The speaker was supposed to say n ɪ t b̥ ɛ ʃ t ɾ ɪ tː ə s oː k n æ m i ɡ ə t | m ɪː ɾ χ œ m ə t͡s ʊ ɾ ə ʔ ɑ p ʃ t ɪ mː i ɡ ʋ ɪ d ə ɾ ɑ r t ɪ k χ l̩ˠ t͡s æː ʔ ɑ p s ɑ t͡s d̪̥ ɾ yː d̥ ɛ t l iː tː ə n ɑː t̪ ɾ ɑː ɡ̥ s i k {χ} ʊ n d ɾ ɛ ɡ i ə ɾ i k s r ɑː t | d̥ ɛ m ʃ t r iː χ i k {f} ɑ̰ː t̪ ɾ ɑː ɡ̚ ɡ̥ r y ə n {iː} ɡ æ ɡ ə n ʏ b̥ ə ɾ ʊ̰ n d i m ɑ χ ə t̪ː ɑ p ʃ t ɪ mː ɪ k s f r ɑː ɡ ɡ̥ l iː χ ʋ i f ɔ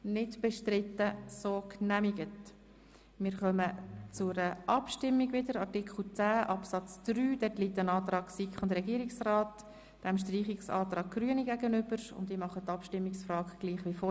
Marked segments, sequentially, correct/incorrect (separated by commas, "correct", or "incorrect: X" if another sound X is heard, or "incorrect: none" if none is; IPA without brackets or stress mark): correct, incorrect: s, incorrect: i